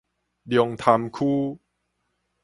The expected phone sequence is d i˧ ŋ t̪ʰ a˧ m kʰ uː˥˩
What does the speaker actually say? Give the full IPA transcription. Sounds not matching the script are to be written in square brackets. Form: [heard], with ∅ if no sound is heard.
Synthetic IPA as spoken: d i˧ ŋ t̪ʰ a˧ m kʰ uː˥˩